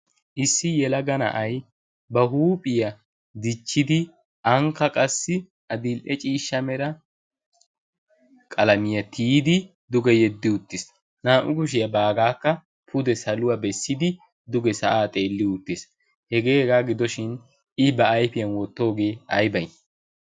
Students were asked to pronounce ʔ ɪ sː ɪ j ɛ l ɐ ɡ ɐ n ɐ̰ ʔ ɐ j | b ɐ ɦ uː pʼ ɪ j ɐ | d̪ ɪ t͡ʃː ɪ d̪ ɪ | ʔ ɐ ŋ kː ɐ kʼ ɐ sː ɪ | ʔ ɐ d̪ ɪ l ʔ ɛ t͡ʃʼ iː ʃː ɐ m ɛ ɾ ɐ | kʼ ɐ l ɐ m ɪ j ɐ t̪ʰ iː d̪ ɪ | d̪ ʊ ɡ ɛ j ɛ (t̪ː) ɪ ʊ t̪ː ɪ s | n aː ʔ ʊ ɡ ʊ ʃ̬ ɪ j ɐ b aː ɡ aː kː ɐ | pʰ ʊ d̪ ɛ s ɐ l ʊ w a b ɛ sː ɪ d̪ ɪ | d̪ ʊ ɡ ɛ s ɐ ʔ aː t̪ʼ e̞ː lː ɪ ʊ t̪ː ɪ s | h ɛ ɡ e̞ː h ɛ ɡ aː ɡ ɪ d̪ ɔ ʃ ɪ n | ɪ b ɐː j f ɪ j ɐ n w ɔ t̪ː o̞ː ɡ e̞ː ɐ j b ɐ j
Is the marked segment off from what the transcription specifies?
yes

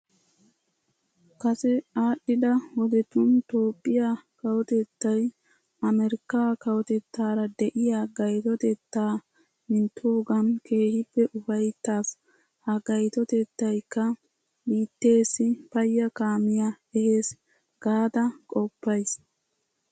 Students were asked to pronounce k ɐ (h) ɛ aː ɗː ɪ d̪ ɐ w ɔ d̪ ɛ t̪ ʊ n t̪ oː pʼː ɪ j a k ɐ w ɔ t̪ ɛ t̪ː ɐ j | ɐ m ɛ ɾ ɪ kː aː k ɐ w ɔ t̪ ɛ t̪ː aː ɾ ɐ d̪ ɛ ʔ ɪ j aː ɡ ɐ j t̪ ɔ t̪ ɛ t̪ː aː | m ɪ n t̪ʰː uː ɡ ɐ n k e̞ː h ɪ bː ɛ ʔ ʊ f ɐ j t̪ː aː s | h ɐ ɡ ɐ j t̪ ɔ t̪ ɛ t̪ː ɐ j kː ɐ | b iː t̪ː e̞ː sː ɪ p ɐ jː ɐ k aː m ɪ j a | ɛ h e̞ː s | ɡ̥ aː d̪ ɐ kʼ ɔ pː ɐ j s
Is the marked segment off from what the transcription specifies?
yes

